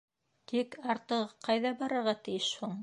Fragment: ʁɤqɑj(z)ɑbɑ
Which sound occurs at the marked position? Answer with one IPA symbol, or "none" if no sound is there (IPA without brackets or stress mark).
ð